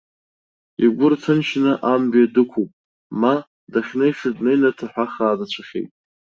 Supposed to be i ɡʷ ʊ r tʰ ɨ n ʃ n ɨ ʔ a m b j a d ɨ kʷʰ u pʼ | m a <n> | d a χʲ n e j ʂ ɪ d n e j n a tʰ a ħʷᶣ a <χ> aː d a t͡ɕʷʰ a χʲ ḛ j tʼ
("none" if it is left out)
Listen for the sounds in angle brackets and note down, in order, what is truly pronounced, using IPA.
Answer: none, χ

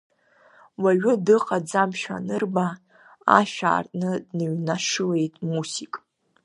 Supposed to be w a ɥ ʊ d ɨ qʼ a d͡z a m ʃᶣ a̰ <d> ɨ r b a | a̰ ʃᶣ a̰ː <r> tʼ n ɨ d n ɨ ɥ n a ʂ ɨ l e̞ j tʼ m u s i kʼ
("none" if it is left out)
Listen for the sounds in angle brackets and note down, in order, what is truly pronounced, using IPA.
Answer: n, r

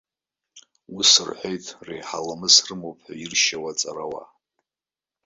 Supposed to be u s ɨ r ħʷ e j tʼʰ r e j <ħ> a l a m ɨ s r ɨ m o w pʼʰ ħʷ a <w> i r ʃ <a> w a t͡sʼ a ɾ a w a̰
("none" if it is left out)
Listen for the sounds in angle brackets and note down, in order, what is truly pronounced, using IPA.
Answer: ħ, none, a

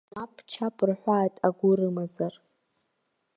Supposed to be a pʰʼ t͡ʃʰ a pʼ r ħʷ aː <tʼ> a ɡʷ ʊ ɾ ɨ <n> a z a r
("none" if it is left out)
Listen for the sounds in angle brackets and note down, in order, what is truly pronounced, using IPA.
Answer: tʼ, m

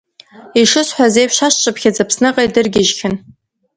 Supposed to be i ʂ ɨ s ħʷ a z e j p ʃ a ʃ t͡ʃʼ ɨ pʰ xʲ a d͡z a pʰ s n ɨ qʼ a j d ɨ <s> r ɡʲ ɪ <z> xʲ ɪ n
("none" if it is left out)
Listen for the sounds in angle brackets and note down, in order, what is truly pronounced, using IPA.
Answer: none, ʒ

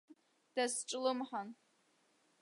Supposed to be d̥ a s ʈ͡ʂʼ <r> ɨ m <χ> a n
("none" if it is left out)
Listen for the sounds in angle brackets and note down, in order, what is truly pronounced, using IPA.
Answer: l, ħ

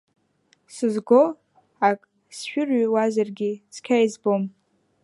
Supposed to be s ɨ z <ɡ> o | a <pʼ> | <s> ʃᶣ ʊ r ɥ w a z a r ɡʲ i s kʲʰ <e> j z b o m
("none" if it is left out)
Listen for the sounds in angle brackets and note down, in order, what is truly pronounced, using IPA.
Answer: ɡ, kʼ, s, a

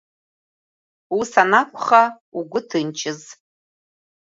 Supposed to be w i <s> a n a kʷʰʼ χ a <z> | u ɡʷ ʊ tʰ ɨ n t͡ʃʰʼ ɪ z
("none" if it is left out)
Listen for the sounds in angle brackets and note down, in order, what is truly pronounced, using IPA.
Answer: s, none

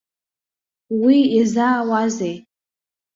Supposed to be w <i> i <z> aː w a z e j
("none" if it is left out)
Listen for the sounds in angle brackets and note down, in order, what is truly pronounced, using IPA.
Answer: i, z

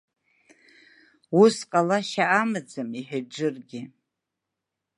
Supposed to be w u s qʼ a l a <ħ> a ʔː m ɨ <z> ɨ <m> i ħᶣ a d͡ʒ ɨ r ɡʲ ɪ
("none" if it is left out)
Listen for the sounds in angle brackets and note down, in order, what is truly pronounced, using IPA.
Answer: ʃ, d͡z, m

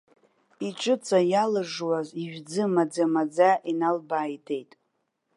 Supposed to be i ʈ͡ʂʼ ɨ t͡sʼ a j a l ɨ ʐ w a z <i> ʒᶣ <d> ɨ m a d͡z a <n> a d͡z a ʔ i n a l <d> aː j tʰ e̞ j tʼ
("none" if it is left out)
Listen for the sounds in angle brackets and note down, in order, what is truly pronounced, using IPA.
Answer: i, d͡z, m, b

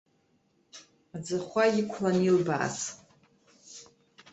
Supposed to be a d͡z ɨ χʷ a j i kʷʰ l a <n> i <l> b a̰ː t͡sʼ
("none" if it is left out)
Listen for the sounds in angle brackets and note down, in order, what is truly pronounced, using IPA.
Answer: n, l

